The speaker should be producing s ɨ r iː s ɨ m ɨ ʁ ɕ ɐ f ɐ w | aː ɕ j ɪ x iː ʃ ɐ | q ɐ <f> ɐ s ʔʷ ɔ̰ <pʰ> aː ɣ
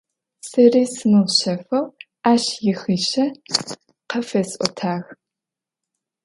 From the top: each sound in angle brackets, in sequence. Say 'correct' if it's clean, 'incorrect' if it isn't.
correct, incorrect

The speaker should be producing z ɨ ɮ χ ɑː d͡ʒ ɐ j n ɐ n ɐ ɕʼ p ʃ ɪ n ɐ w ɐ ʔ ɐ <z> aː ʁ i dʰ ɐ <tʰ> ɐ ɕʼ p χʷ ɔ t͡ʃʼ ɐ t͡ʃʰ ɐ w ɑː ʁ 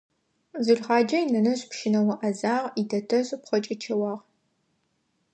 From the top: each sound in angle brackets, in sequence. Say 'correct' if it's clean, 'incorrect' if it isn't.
correct, correct

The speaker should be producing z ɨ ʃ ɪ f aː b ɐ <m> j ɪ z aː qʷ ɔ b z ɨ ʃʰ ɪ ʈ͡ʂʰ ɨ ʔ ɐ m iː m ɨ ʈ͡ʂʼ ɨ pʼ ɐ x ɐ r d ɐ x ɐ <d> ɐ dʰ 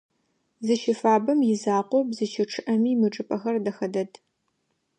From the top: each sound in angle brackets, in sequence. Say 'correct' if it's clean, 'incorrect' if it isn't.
correct, correct

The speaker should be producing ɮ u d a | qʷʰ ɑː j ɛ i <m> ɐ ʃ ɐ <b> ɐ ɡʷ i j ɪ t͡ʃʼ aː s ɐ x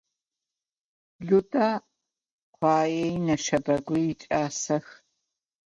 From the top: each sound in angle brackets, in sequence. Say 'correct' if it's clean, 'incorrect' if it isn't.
incorrect, correct

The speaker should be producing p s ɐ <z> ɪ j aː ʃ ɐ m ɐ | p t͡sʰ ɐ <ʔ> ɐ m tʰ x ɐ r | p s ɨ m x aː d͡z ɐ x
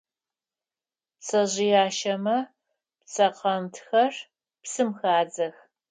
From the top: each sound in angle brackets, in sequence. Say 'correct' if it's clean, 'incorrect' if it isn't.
incorrect, incorrect

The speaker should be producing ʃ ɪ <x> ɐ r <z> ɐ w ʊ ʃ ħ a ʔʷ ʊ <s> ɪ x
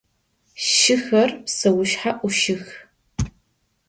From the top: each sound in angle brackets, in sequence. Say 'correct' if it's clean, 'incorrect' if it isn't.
correct, incorrect, incorrect

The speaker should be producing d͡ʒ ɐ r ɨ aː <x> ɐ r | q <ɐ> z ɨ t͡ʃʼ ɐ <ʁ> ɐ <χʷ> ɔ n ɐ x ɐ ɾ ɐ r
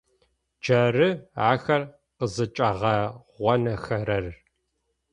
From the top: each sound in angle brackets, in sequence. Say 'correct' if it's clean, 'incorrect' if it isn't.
correct, incorrect, correct, incorrect

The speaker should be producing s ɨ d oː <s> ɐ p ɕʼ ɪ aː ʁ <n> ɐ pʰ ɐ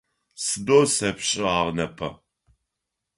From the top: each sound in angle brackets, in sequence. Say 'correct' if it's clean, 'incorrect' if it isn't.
correct, correct

